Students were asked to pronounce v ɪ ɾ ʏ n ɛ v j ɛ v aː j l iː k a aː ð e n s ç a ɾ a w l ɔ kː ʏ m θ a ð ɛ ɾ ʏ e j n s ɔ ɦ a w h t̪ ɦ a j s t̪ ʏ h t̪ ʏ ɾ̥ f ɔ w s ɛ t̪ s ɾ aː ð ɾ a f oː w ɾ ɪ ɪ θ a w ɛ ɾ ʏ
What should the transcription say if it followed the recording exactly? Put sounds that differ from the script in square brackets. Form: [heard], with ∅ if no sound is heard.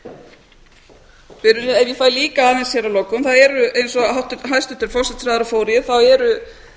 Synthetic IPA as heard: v ɪ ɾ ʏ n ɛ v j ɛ [f] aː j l iː k a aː ð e n s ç [ɛ] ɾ a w l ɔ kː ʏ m θ a ð ɛ ɾ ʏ e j n s ɔ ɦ a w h t̪ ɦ a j s t̪ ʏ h t̪ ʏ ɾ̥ f ɔ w s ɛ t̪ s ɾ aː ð ɾ a f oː w ɾ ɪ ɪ θ a w ɛ ɾ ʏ

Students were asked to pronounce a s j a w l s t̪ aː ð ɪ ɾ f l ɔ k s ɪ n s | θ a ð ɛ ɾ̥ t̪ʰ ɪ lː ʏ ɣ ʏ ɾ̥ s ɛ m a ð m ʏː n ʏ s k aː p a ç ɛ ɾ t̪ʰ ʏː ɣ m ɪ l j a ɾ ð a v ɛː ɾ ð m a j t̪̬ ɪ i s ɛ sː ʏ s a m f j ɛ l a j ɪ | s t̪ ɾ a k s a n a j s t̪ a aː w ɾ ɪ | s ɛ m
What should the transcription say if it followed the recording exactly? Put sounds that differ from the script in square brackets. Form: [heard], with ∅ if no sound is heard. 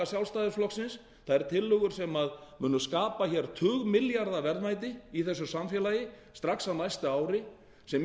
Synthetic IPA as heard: a s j a w l s t̪ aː ð ɪ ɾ f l ɔ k s ɪ n s | θ a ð ɛ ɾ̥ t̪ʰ ɪ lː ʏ ɣ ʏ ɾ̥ s ɛ m a ð m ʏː n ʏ s k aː p a ç ɛ ɾ t̪ʰ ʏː ɣ m ɪ l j a ɾ ð a v [ɛ] ɾ ð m a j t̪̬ ɪ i [θ] ɛ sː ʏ s a m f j ɛ l a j ɪ | s t̪ ɾ a k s a n a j s t̪ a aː w ɾ ɪ | s ɛ m

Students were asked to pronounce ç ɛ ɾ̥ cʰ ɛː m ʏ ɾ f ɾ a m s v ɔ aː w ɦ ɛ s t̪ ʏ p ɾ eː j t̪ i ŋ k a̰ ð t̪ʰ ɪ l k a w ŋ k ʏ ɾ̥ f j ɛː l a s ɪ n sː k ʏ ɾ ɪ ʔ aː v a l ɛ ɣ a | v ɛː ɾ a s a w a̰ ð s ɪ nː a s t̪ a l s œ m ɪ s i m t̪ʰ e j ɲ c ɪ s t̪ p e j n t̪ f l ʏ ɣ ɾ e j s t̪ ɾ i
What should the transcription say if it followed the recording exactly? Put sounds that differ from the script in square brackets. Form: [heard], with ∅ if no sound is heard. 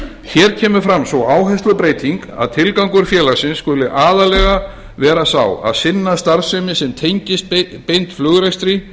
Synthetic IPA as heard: ç ɛ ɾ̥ cʰ ɛː m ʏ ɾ f ɾ a m s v ɔ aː w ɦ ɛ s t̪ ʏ p ɾ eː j t̪ i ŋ k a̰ ð t̪ʰ ɪ l k a w ŋ k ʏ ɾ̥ f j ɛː l a s ɪ n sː k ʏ [l] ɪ ʔ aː [ð] a l ɛ ɣ a | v ɛː ɾ a s a w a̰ ð s ɪ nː a s t̪ a [ɾ] s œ m ɪ s [ɛ] m t̪ʰ e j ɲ c ɪ s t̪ p e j n t̪ f l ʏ ɣ ɾ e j s t̪ ɾ i

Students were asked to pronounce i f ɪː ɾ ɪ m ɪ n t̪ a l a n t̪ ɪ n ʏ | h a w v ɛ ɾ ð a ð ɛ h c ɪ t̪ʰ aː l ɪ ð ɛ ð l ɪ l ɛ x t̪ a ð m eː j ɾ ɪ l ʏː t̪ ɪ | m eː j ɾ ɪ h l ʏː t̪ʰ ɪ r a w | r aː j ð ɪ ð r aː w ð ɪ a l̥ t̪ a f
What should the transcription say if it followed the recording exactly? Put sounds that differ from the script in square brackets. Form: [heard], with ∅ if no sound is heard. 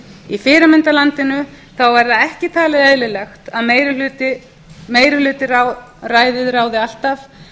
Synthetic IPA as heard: i f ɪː ɾ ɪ m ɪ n t̪ a l a n t̪ ɪ n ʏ | [θ] a w v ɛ ɾ ð a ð ɛ h c ɪ t̪ʰ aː l ɪ ð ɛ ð l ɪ l ɛ x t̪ a ð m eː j ɾ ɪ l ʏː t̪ ɪ | m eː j ɾ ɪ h l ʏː [t̪] ɪ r a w | r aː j ð ɪ ð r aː w ð ɪ a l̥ t̪ a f

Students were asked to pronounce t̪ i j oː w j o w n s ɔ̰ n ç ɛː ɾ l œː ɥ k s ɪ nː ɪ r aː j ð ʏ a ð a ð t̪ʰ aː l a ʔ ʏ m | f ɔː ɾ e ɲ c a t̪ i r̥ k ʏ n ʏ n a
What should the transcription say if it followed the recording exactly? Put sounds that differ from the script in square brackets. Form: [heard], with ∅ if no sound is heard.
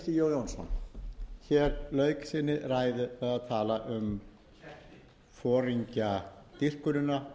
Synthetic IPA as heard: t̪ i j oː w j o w n s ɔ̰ n ç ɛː ɾ l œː ɥ k s ɪ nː ɪ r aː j ð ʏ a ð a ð t̪ʰ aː l a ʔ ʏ m | f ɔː ɾ [i] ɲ c a t̪ i r̥ k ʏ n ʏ n a

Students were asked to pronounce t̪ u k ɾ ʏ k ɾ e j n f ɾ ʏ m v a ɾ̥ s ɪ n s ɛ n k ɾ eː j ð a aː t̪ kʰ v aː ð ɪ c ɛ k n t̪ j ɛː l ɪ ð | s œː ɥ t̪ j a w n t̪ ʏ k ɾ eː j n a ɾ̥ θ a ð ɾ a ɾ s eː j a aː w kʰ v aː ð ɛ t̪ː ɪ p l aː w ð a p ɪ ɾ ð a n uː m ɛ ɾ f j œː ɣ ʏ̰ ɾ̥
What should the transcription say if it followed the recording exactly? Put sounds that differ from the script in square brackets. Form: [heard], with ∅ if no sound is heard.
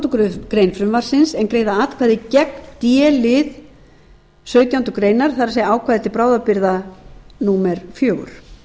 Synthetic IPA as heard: t̪ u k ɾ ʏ k ɾ e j n f ɾ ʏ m v a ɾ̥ s ɪ n s ɛ n k ɾ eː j ð a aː t̪ kʰ v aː ð ɪ c ɛ k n t̪ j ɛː l ɪ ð | s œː ɥ t̪ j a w n t̪ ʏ k ɾ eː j n a ɾ̥ θ a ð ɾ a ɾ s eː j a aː w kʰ v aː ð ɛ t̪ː ɪ p [ɾ] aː w ð a p ɪ ɾ ð a n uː m ɛ ɾ f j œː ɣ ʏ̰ ɾ̥

